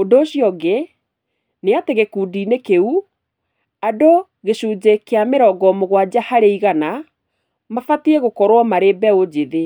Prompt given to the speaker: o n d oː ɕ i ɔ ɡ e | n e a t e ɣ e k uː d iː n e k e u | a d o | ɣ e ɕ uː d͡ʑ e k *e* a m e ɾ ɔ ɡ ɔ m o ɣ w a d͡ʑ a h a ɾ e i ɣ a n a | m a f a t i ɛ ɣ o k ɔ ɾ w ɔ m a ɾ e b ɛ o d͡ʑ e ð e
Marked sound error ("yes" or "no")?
no